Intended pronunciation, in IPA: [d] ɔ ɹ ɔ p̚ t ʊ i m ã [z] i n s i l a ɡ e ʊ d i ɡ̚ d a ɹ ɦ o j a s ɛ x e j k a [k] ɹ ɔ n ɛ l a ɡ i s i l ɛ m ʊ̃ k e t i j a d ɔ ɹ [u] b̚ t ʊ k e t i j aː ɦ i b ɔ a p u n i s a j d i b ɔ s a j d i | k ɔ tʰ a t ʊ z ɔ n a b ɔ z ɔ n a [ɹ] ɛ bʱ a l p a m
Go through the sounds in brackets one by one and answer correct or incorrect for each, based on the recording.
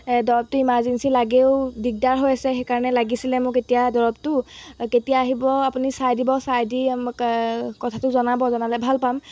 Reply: correct, correct, incorrect, incorrect, incorrect

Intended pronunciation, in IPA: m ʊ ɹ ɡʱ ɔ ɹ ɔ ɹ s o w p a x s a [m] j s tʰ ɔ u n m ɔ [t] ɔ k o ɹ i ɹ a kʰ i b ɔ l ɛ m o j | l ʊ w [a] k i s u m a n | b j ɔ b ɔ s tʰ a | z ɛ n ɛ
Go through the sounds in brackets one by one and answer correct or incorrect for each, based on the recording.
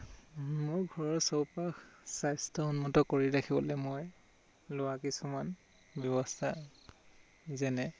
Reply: incorrect, correct, correct

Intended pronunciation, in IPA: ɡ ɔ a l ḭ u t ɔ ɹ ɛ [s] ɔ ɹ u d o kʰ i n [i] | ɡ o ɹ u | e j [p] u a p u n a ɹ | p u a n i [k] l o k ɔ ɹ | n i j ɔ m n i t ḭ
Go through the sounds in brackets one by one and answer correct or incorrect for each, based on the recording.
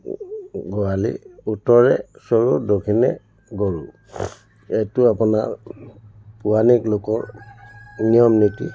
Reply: correct, incorrect, incorrect, correct

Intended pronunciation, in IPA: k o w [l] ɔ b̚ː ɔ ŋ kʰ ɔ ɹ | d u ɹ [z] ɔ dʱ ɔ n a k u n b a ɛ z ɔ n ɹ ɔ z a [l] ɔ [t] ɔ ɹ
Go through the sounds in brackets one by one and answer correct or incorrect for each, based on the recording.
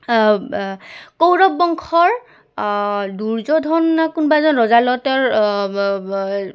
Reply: incorrect, correct, correct, correct

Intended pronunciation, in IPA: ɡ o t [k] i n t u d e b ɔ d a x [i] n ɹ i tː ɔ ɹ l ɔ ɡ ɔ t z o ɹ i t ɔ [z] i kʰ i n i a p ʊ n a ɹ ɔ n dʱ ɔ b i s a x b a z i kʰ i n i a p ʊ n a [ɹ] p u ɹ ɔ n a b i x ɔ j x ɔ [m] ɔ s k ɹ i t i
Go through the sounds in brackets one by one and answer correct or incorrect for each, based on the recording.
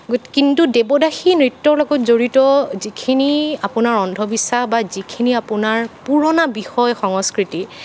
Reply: correct, correct, correct, correct, incorrect

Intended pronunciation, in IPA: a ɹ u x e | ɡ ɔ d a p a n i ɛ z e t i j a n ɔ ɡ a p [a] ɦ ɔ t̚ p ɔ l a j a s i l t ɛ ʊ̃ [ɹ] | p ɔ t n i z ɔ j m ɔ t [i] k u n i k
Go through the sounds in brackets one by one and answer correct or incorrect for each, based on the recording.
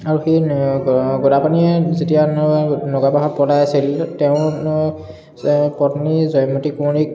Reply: correct, incorrect, correct

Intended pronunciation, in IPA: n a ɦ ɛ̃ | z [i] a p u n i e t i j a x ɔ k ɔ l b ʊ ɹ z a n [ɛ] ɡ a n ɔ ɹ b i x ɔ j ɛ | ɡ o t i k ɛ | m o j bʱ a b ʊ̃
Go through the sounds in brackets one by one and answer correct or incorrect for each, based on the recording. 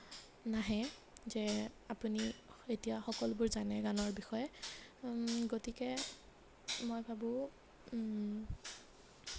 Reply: incorrect, correct

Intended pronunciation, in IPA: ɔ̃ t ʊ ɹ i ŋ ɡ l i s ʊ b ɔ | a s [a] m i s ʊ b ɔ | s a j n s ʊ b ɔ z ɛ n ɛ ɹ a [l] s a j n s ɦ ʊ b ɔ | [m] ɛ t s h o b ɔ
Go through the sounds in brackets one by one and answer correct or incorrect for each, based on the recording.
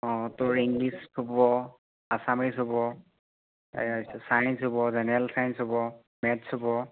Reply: correct, correct, correct

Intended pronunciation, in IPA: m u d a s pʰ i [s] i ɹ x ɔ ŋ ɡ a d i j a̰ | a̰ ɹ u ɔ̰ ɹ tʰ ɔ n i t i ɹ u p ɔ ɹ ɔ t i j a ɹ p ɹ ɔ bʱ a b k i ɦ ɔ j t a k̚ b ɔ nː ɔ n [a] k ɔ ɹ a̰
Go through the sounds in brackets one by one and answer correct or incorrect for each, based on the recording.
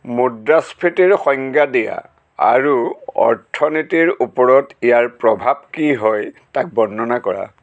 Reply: incorrect, correct

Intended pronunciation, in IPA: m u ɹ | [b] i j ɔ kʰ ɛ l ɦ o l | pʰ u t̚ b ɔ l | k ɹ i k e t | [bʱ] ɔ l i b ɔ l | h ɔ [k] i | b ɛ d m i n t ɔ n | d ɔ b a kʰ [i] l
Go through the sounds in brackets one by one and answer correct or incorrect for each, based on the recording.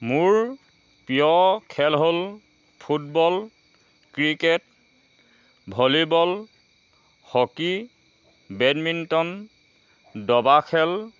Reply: incorrect, correct, correct, incorrect

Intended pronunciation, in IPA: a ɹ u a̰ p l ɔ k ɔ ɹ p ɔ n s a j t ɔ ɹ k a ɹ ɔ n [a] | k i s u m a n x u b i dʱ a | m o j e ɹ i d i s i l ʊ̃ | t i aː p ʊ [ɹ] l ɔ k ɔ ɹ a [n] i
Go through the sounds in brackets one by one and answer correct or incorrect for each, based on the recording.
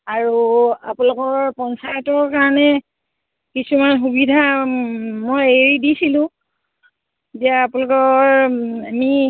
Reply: incorrect, incorrect, incorrect

